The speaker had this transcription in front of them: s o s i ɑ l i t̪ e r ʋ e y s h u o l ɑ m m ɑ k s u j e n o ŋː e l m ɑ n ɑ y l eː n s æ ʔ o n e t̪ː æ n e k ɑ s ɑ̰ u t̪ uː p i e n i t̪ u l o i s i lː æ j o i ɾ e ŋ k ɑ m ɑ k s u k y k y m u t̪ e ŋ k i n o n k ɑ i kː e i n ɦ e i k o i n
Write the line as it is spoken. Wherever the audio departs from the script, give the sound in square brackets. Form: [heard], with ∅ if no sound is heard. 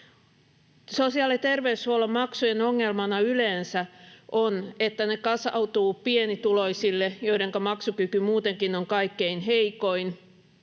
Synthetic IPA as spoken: s o s i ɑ l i t̪ e r ʋ e y s h u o l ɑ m m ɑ k s u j e n o ŋː e l m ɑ n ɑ y l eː n s æ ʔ o n e t̪ː æ n e k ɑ s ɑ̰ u t̪ uː p i e n i t̪ u l o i s i lː [e] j o i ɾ e ŋ k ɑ m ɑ k s u k y k y m [uː] t̪ e ŋ k i n o [ŋ] k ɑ i kː e i n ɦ e i k o i n

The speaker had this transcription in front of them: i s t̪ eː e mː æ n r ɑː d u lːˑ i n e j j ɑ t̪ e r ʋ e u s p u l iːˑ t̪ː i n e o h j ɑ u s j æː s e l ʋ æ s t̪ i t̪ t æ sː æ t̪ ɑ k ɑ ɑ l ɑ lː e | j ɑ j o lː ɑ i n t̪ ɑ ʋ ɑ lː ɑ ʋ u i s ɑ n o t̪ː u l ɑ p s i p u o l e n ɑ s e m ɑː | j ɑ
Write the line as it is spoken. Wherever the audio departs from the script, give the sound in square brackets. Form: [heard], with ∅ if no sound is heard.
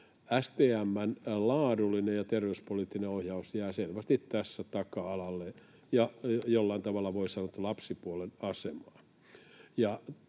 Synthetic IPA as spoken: [æ] s t̪ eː [æ] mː æ n [l] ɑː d u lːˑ i n e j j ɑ t̪ e r ʋ e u s p [o] l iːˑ t̪ː i n e o h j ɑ u s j æː s e l ʋ æ s t̪ i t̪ t æ sː æ t̪ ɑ k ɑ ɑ l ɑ lː e | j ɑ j o lː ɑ i n t̪ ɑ ʋ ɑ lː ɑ ʋ [o] i s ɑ n o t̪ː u l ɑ p s i p u o l e n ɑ s e m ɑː | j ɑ

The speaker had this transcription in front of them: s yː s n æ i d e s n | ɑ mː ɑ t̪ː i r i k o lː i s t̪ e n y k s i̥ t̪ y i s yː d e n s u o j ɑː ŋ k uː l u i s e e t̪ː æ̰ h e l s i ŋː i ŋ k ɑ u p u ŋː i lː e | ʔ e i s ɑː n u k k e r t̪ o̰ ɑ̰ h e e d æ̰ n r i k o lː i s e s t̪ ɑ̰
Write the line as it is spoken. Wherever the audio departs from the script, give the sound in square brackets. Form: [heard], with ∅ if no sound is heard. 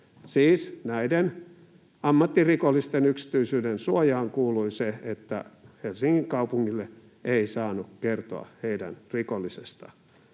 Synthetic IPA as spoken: s [iː] s n æ i d e [∅] n | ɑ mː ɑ t̪ː i r i k o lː i s t̪ e n y k s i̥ t̪ y i s yː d e n s u o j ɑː ŋ k uː l u i s e e t̪ː æ̰ h e l s i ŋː i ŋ k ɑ u p u ŋː i lː e | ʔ e i s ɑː n u k k e r t̪ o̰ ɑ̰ h e [i] d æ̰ n r i k o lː i s e s t̪ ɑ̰

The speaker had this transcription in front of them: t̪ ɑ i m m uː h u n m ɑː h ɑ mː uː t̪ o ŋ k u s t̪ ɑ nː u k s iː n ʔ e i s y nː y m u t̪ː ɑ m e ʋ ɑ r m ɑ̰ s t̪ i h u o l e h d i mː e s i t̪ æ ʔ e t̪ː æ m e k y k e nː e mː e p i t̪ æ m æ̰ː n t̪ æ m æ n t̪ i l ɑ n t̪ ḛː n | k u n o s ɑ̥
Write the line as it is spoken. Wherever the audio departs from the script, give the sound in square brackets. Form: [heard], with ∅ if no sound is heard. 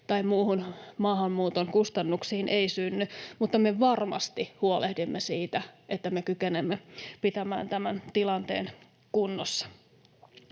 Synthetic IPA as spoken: t̪ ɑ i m m uː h u n m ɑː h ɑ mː uː t̪ o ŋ k u s t̪ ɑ nː u k s iː n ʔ e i s y nː y m u t̪ː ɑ m e ʋ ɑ r m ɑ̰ s t̪ i h u o l e h d i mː e s [iː] t̪ æ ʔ e t̪ː æ m e k y k e [n] e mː e p i t̪ æ m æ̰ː n t̪ æ m æ n t̪ i l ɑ n t̪ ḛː n | k u [nː] o [sː] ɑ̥

